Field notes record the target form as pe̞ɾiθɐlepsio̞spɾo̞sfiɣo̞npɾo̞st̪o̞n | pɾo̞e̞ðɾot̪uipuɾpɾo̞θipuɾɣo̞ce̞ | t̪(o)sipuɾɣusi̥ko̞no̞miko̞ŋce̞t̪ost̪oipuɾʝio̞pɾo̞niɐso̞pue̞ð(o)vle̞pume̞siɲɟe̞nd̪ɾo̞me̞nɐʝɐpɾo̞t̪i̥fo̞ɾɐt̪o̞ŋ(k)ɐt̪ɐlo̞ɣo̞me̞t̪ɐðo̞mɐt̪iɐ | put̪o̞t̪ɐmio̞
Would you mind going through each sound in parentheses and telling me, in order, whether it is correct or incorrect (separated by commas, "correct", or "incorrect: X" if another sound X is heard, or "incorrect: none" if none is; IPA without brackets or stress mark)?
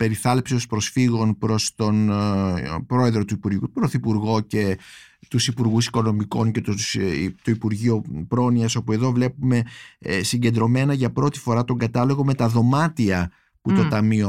incorrect: u, correct, incorrect: ɡ